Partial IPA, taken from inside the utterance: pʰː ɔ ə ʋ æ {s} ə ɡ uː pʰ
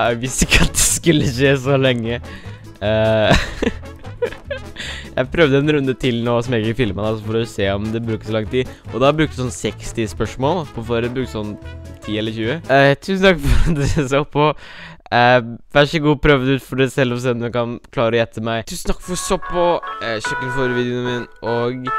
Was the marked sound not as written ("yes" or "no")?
yes